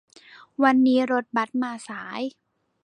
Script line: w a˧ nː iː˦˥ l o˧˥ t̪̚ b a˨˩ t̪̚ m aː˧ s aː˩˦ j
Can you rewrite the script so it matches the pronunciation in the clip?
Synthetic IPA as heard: w a˧ nː iː˦˥ ɾ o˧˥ t̪̚ b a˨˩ t̪̚ m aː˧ s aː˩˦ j